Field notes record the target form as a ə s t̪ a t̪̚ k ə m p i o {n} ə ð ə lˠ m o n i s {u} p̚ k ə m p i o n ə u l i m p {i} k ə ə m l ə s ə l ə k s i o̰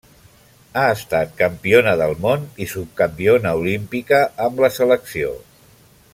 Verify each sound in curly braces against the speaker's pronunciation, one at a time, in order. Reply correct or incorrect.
correct, correct, correct

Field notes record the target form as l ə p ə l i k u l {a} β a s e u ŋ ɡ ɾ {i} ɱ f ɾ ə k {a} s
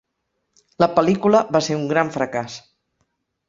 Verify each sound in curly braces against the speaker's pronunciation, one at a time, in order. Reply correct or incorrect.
incorrect: ə, incorrect: a, correct

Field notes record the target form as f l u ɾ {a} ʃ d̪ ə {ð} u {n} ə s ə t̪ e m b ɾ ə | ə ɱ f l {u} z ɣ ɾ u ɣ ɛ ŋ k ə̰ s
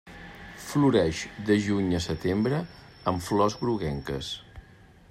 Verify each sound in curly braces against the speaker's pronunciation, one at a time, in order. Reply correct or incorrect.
incorrect: ɛ, incorrect: ʒ, incorrect: ɲ, incorrect: ɔ

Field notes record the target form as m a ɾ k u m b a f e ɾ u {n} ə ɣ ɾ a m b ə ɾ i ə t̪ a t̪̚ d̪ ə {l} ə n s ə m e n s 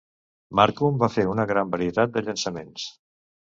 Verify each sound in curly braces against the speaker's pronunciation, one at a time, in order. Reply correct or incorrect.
correct, incorrect: ʎ

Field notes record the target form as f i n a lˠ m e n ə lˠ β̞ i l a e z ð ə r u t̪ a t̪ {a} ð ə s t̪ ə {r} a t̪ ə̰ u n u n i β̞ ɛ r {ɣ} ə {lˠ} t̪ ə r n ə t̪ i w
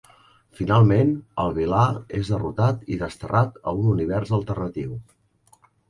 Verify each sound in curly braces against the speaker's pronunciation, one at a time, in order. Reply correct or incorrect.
incorrect: i, correct, incorrect: z, correct

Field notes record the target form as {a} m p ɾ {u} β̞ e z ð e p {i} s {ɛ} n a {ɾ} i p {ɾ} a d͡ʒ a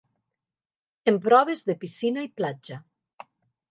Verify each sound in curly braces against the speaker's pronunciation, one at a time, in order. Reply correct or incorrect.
incorrect: e, incorrect: ɔ, correct, incorrect: i, incorrect: none, incorrect: l

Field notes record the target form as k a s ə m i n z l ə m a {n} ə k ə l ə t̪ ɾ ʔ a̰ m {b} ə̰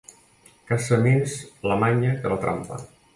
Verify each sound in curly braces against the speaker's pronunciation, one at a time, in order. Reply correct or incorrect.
incorrect: ɲ, incorrect: p

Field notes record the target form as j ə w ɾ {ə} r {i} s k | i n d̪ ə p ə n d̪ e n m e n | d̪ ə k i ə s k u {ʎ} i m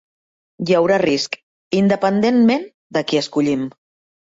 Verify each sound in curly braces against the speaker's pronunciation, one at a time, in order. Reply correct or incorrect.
incorrect: a, correct, correct

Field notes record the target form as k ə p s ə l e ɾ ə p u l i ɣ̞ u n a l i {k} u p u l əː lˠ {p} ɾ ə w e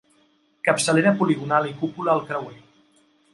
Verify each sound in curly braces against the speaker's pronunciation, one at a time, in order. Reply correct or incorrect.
correct, incorrect: k

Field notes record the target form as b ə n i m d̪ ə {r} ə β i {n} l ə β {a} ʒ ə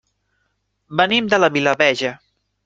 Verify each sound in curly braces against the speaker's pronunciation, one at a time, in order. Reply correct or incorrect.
incorrect: l, incorrect: none, incorrect: ɛ

